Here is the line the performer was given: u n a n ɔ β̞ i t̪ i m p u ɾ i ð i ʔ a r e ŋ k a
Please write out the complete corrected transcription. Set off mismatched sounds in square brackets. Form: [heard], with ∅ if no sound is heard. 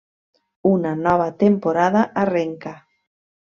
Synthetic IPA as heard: u n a n ɔ β̞ [a] t̪ [e] m p [o] ɾ [a] ð [a] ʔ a r e ŋ k a